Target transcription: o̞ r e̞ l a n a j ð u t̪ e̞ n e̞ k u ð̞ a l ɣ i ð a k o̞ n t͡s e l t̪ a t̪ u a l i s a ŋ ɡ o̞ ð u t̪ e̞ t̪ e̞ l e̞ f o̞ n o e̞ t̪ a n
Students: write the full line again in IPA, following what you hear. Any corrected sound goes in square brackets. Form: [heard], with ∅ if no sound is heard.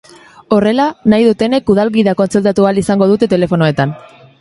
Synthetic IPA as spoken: o̞ r e̞ l a n a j ð u t̪ e̞ n e̞ k u ð̞ a l ɣ i ð a k o̞ n t͡s e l t̪ a t̪ u a l i s a ŋ ɡ o̞ ð u t̪ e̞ t̪ e̞ l e̞ f o̞ n o e̞ t̪ a n